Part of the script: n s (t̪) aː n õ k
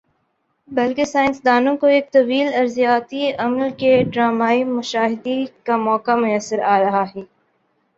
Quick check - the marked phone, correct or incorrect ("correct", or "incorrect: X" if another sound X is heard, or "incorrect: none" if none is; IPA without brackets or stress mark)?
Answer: incorrect: d̪